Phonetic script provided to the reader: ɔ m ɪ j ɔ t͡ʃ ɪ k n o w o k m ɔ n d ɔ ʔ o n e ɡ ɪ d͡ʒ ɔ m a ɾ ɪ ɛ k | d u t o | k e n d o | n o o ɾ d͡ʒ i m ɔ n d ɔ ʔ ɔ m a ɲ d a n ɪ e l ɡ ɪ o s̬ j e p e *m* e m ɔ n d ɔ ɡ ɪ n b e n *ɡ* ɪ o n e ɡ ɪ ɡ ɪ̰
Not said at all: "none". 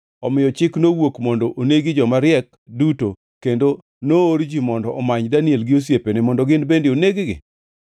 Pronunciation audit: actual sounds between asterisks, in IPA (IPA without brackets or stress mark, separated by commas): n, d